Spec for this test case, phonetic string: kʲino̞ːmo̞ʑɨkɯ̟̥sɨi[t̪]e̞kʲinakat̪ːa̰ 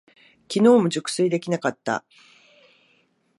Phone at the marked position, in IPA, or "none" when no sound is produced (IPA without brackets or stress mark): d̪